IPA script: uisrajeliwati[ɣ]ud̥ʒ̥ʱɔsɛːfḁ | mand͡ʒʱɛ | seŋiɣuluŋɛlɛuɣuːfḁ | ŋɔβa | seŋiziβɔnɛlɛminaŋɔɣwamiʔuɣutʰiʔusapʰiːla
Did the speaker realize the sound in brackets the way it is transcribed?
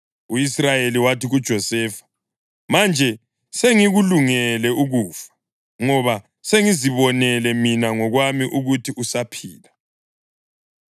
yes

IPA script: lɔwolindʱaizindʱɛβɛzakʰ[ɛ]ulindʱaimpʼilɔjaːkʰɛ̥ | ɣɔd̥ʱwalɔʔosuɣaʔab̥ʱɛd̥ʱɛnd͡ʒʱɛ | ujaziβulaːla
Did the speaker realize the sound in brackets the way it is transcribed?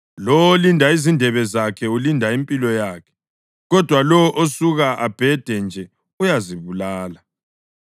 yes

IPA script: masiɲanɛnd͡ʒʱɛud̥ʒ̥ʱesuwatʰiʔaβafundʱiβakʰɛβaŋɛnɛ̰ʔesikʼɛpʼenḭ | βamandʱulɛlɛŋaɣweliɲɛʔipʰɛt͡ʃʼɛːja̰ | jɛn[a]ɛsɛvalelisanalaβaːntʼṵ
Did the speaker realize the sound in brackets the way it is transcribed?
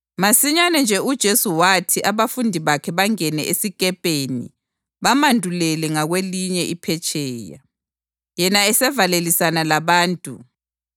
yes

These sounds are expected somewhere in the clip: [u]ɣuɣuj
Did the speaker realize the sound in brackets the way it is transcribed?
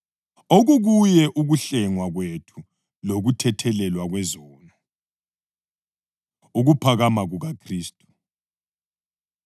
no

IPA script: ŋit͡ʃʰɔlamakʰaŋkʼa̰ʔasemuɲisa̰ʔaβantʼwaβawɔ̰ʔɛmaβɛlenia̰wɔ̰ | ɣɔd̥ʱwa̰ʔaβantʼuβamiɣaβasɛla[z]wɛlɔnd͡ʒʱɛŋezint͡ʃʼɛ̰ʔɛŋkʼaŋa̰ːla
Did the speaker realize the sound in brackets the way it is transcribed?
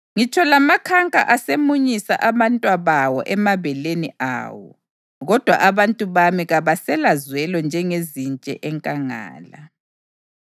yes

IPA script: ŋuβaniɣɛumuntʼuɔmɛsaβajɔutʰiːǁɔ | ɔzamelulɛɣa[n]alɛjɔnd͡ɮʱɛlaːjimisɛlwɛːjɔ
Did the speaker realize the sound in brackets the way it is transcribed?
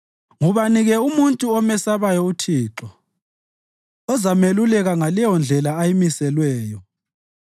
no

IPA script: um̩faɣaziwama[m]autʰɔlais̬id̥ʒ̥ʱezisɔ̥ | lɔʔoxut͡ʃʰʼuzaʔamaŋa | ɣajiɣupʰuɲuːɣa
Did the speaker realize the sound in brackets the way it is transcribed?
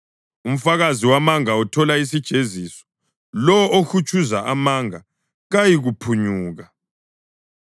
no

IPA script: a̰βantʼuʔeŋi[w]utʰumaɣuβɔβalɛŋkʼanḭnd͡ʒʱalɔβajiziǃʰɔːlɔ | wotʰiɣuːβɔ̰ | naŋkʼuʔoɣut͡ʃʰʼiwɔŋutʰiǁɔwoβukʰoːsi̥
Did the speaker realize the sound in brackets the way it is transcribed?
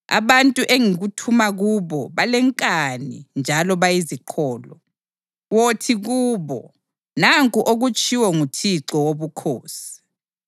no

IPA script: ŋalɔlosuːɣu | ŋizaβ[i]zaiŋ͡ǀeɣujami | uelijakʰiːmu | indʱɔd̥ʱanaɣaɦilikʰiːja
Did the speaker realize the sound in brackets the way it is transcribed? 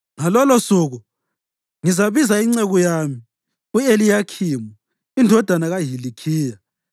yes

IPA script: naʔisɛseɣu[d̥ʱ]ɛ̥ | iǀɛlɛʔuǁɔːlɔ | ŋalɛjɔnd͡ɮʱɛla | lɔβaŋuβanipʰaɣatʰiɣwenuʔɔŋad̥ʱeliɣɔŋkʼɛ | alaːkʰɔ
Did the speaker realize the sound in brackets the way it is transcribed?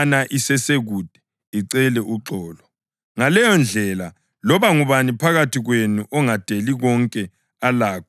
yes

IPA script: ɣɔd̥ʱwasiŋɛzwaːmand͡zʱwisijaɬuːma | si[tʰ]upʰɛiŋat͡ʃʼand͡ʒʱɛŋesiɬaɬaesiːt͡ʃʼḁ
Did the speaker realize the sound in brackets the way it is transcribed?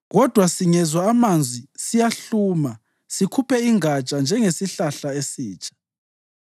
no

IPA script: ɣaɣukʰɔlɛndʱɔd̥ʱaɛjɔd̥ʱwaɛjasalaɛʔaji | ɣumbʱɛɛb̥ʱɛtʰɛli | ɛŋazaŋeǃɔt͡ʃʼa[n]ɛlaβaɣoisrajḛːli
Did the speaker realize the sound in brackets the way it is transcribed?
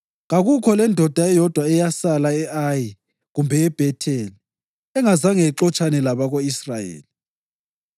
yes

